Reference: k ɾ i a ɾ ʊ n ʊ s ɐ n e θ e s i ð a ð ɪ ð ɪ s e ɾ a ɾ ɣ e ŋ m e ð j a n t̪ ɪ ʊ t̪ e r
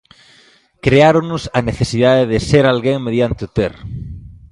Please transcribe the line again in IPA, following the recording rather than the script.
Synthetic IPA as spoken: k ɾ e a ɾ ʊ n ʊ s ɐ n e θ e s i ð a ð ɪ ð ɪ s e ɾ a l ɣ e ŋ m e ð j a n t̪ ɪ ʊ t̪ e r